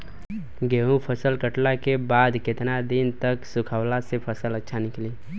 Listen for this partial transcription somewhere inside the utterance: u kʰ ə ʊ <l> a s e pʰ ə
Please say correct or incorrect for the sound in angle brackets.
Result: correct